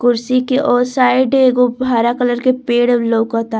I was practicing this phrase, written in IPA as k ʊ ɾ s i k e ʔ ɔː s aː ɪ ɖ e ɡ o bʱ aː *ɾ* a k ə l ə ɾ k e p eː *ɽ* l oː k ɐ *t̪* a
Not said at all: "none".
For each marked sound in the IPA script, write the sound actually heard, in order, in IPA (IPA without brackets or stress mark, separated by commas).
ɾ, ɽ, t̪